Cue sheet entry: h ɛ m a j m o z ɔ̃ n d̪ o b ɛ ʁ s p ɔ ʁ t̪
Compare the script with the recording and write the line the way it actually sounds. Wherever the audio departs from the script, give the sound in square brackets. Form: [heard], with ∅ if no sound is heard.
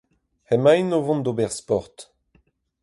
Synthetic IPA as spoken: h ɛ m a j [n] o [v] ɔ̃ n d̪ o b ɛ ʁ s p ɔ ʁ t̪